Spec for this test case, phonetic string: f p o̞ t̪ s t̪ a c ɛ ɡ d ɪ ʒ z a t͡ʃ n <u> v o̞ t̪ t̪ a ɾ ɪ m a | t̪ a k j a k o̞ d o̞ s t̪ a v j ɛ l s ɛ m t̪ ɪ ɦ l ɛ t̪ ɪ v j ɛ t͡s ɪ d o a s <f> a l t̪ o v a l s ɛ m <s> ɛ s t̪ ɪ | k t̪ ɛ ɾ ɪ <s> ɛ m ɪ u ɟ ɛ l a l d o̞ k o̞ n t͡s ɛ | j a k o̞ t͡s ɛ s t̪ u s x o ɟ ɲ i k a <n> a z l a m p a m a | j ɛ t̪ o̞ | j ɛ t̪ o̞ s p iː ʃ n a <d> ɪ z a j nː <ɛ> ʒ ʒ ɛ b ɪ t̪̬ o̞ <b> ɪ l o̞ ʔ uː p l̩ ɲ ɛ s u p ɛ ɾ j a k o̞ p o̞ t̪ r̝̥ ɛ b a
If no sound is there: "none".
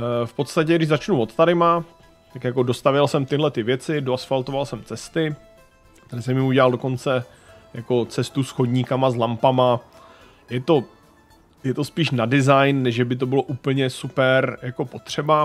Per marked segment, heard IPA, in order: u, f, t͡s, s, m, d, ɛ, b

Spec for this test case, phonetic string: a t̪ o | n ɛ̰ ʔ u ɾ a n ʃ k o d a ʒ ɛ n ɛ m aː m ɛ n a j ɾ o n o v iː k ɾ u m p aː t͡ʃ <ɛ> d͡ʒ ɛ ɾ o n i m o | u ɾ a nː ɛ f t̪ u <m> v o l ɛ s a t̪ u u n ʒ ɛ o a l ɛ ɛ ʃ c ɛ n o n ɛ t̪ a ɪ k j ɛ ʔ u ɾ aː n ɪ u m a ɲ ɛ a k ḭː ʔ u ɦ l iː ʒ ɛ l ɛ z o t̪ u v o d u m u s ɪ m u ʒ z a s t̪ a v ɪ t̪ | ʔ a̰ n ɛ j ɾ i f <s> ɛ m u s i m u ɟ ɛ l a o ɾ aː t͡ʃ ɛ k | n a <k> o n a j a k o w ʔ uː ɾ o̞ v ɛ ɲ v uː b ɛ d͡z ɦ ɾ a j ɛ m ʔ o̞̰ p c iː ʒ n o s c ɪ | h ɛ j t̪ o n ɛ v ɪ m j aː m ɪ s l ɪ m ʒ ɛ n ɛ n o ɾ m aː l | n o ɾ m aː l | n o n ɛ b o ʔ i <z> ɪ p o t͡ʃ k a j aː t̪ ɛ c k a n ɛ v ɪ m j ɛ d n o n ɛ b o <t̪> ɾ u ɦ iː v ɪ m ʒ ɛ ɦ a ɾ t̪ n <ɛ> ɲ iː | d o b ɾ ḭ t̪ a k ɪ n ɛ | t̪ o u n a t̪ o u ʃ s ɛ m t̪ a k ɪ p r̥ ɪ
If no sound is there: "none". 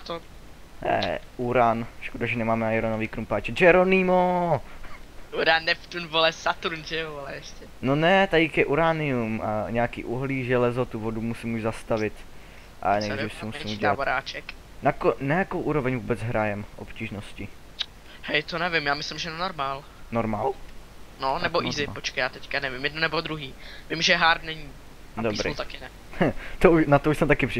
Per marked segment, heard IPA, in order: ɛ, n, s, k, z, d̪, ɛ

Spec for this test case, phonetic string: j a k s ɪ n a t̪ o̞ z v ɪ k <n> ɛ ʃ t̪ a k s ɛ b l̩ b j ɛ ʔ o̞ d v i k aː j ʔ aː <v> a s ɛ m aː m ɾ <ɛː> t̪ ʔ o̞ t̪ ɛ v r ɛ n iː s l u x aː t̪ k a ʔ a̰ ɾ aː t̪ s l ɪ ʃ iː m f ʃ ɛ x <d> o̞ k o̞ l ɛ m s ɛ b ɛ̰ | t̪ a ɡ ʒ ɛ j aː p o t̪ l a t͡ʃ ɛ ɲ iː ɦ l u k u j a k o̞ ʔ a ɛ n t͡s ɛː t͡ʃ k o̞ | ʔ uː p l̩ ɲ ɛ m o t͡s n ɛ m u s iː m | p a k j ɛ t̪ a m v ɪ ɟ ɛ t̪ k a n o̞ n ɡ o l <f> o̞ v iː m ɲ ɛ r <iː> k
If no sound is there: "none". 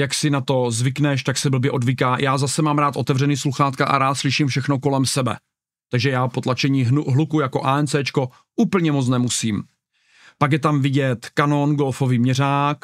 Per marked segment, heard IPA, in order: n, z, aː, n, f, aː

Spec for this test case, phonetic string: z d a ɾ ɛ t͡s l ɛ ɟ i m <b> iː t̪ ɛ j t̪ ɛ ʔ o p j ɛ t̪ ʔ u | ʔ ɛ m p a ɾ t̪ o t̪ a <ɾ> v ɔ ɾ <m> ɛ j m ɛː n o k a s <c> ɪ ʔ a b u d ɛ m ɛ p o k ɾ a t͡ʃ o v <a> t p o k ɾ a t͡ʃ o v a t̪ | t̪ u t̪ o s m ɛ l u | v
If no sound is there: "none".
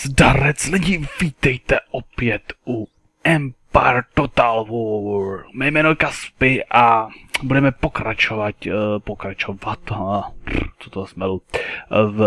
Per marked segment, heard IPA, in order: v, l, m, p, a

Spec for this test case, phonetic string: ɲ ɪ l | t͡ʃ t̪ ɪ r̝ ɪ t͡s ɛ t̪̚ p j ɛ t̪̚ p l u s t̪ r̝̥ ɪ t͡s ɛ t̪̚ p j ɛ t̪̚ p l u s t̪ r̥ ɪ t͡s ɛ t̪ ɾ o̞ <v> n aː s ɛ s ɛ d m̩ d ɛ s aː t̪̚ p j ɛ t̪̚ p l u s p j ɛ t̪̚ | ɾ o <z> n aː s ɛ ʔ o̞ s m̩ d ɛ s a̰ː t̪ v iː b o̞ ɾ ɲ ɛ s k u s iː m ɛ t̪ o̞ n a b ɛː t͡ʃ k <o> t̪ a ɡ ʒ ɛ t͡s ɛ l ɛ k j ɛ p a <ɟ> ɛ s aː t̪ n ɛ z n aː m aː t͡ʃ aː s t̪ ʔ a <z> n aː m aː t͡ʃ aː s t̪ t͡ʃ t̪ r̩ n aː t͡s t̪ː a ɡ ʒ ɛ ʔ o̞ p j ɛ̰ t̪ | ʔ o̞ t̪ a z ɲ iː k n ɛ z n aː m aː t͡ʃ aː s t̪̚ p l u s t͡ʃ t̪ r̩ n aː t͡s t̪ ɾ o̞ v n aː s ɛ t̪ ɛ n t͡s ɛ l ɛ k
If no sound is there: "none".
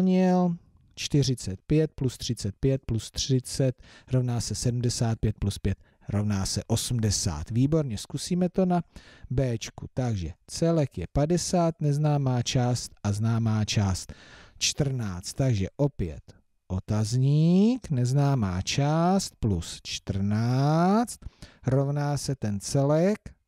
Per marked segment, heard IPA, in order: v, v, u, d, z

